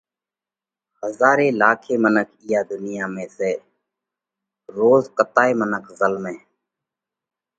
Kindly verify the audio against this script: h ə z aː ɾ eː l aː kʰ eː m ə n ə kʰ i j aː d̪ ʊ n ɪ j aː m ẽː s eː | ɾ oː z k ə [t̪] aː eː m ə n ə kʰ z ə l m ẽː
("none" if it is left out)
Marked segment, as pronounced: t̪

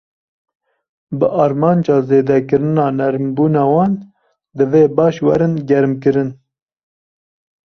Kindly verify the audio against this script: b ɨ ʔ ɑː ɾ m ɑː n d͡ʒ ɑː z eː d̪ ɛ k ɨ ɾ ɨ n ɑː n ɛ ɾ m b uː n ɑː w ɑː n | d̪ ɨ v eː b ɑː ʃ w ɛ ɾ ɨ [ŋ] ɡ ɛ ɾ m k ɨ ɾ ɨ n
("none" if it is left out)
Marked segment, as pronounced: n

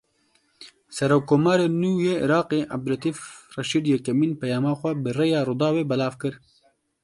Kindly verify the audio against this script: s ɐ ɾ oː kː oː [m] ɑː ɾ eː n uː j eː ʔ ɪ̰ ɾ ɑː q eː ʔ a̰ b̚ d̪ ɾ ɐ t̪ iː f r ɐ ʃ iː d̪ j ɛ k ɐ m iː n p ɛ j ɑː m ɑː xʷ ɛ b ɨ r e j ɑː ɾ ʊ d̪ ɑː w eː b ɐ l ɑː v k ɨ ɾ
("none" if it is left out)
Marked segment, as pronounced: m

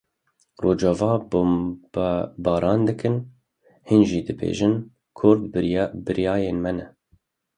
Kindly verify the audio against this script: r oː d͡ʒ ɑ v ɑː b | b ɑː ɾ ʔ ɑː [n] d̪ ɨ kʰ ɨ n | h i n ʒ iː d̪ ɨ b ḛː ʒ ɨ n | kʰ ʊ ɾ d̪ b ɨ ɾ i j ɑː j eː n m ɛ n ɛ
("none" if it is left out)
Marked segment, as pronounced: n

